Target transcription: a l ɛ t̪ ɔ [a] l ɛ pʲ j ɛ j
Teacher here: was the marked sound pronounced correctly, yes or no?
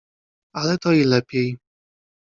no